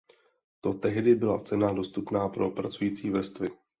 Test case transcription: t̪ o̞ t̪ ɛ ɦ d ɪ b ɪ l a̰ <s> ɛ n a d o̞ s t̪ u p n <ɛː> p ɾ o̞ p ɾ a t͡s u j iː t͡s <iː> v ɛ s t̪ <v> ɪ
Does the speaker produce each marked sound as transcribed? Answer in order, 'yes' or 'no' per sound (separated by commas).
no, no, yes, yes